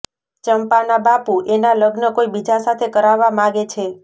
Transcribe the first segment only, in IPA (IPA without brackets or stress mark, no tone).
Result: t͡ʃ